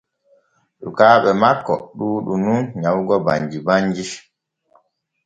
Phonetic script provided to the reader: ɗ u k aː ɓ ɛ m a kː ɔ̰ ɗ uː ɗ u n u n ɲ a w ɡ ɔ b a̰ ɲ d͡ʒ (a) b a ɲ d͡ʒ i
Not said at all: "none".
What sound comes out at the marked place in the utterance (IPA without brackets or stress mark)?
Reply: i